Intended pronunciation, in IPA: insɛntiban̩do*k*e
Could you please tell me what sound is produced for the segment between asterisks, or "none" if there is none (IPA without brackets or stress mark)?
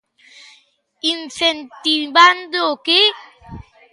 k